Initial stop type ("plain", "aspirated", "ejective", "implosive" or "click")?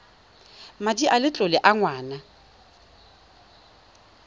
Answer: plain